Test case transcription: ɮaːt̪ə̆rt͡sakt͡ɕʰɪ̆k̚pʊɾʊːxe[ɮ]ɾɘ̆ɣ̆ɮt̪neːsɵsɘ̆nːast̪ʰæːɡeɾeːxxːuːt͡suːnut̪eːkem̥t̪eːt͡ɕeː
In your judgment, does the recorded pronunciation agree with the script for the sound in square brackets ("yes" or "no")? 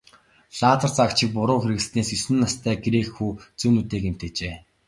no